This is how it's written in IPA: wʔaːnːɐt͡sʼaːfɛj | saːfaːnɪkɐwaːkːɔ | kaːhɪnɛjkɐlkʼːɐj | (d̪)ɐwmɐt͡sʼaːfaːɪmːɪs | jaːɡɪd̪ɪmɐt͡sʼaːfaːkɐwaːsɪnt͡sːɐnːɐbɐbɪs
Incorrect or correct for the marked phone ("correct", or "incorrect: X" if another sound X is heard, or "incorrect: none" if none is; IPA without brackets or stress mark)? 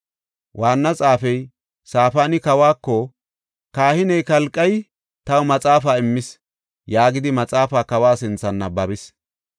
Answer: incorrect: t̪